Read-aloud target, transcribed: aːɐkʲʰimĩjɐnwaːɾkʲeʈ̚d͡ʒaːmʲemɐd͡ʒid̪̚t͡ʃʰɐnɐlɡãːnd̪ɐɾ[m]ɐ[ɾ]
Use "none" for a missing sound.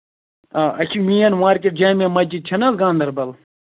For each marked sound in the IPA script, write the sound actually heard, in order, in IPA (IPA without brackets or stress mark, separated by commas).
b, l